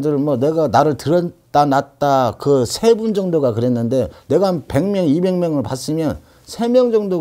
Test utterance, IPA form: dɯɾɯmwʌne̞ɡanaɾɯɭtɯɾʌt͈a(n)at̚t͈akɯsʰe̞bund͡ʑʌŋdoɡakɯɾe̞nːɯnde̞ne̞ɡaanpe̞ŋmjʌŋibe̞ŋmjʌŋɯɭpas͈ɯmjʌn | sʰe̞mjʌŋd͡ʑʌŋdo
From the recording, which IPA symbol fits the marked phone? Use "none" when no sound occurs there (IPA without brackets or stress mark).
n